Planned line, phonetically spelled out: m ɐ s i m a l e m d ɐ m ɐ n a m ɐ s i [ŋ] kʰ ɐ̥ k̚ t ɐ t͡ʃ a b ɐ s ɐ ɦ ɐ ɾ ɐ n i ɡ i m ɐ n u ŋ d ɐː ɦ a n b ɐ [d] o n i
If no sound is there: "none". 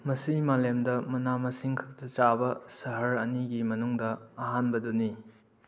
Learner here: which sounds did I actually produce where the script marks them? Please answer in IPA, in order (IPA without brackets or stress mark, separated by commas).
ŋ, d